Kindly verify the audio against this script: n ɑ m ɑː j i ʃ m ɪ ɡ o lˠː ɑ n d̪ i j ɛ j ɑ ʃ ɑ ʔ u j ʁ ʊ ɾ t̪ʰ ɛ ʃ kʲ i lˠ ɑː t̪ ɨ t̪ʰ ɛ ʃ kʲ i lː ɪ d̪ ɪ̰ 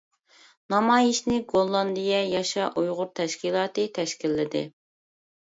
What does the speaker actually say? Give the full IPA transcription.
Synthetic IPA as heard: n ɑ m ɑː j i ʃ n ɪ ɡ o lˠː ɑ n d̪ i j ɛ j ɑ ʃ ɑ ʔ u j ʁ ʊ ɾ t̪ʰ ɛ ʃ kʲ i lˠ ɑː t̪ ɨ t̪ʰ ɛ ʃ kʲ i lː ɪ d̪ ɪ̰